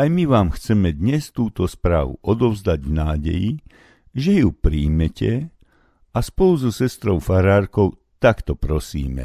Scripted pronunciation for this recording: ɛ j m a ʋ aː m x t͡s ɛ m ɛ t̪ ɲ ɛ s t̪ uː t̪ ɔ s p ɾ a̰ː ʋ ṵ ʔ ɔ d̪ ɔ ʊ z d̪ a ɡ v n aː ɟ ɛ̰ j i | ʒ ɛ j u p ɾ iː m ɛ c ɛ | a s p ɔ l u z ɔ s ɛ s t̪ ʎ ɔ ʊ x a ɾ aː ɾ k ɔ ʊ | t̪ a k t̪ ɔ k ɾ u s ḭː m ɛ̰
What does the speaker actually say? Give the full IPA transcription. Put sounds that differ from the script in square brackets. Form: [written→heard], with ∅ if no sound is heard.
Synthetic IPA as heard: [ɛ→a] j m [a→i] ʋ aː m x t͡s ɛ m ɛ [t̪→d̪] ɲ ɛ s t̪ uː t̪ ɔ s p ɾ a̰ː ʋ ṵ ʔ ɔ d̪ ɔ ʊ z d̪ a [ɡ→ɟ] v n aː ɟ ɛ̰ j i | ʒ ɛ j u p ɾ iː m ɛ c ɛ | a s p ɔ l u z ɔ s ɛ s t̪ [ʎ→ɾ] ɔ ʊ [x→f] a ɾ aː ɾ k ɔ ʊ | t̪ a k t̪ ɔ [k→p] ɾ [u→ɔ] s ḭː m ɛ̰